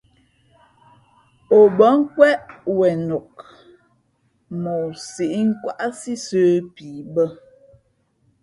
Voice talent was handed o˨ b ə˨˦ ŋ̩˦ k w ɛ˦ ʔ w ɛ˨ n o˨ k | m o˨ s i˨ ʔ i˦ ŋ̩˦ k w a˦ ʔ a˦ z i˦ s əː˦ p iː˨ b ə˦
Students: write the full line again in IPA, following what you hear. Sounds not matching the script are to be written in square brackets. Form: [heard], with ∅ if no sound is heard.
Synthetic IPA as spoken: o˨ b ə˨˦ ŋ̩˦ k w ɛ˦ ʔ w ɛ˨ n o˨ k | m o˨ s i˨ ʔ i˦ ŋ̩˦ k w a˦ ʔ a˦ [s] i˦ s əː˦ p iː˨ b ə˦